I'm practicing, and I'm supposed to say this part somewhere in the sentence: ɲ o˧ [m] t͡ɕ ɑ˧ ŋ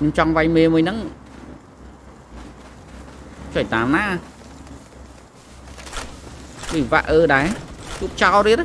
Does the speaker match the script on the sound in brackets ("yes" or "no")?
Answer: yes